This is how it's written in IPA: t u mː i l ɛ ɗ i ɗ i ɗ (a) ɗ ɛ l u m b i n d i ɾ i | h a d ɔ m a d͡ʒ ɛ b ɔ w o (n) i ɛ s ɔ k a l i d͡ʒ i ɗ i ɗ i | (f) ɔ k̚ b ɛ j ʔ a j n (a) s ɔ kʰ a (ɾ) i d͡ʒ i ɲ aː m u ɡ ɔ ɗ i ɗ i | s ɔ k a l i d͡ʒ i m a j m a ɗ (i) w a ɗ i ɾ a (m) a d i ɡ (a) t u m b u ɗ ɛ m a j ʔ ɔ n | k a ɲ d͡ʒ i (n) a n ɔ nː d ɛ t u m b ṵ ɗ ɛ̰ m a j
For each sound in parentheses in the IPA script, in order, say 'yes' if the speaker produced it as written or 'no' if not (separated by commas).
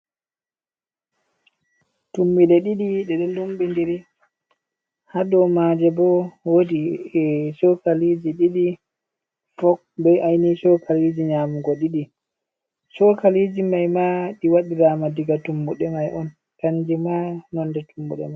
no, no, yes, no, no, yes, yes, yes, no